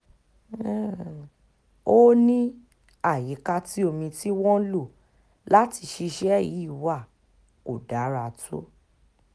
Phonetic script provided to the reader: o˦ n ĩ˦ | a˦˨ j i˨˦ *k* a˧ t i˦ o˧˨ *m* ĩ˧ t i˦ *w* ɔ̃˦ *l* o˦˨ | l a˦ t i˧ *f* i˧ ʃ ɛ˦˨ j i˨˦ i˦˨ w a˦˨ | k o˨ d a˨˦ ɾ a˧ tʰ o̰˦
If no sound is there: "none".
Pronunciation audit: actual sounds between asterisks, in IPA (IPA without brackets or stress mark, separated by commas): k, m, w, l, ʃ